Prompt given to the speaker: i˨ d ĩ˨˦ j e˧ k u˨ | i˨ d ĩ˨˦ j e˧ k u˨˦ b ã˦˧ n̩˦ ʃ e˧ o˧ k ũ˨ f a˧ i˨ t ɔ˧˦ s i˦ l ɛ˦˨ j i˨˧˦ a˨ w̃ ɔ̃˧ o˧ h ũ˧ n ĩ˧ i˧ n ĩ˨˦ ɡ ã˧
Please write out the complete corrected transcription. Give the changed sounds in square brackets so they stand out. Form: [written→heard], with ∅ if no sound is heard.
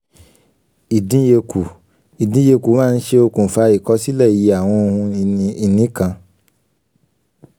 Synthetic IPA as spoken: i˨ d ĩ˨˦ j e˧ k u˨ | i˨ d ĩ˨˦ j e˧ k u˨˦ [b→m] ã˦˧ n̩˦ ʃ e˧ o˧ k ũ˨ f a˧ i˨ [t→k] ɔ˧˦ s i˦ l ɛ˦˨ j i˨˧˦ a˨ w̃ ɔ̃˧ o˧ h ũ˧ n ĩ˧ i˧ n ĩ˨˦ [ɡ→k] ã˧